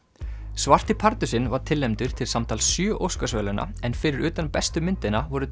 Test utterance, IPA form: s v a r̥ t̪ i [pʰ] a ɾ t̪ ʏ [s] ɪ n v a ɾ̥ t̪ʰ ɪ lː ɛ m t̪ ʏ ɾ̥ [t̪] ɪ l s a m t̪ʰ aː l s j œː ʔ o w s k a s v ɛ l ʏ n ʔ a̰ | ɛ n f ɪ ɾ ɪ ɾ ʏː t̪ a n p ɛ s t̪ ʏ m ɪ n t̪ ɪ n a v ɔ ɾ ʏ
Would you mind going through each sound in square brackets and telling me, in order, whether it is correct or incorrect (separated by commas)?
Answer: correct, correct, incorrect